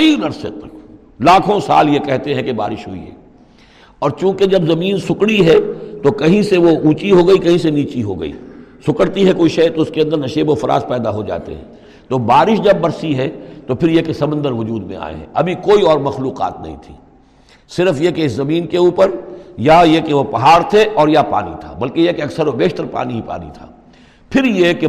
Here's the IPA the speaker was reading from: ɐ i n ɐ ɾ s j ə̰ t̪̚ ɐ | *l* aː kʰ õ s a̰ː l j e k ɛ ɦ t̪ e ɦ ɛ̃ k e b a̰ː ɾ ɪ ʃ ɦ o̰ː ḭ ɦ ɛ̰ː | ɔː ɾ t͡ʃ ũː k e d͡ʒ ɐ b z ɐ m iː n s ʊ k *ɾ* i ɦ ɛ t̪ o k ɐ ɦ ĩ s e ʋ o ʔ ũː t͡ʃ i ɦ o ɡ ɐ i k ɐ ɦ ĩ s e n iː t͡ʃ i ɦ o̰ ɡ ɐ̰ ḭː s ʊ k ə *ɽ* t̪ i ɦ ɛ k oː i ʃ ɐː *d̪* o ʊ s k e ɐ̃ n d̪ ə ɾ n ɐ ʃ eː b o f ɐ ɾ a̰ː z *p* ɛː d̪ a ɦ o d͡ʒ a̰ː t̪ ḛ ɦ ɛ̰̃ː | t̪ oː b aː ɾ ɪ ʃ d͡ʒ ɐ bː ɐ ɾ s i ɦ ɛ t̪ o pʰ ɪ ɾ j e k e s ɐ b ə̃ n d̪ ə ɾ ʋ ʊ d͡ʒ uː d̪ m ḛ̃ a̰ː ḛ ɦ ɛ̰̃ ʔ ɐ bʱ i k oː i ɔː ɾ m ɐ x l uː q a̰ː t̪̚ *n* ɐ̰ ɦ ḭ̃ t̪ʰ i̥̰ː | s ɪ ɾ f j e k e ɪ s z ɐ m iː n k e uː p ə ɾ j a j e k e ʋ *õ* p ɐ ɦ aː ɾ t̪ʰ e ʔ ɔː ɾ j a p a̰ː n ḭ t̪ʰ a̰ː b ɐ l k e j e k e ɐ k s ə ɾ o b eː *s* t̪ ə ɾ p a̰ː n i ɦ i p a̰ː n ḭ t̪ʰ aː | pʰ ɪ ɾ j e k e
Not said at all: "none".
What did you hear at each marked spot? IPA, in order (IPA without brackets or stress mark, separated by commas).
l, ɽ, ɽ, t̪, p, n, o, ʃ